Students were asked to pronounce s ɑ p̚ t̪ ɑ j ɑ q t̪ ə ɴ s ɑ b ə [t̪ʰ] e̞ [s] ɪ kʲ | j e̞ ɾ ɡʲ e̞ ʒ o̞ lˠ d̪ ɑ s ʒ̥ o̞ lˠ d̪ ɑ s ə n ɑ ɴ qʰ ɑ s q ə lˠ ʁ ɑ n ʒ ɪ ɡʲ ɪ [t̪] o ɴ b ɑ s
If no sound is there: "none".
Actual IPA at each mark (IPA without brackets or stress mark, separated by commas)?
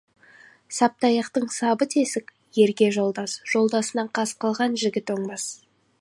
t̪ʰ, s, t̪